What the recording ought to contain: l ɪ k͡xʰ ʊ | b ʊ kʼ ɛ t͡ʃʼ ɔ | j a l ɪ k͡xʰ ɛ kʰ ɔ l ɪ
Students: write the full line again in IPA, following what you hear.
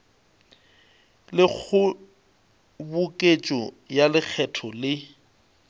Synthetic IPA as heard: l ɪ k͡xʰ ʊ | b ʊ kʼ e t͡ʃʼ ɔ | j a l ɪ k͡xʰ ɛ tʰ ɔ l ɪ